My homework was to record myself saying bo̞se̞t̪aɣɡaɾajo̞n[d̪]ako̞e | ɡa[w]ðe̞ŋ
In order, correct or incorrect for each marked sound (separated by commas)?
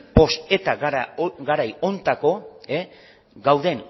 incorrect, correct